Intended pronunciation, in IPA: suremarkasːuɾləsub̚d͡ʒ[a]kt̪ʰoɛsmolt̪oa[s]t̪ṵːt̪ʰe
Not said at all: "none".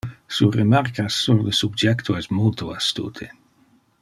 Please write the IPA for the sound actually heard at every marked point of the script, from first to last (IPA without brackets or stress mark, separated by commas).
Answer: ɛ, s